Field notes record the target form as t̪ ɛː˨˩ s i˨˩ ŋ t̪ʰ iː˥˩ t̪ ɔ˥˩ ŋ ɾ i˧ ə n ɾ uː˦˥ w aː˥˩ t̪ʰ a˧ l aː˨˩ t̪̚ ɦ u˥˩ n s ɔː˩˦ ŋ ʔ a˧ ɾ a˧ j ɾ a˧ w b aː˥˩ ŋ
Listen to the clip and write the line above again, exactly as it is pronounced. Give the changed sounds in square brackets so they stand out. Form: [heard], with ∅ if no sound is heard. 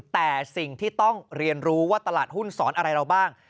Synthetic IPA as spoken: t̪ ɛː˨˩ s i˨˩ ŋ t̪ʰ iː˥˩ t̪ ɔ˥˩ ŋ ɾ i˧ ə n ɾ uː˦˥ w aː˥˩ [t̪] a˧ l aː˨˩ t̪̚ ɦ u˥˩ n s ɔː˩˦ [n] ʔ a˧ ɾ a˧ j ɾ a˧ w b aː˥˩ ŋ